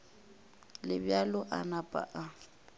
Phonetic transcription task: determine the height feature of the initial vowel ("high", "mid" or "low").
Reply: high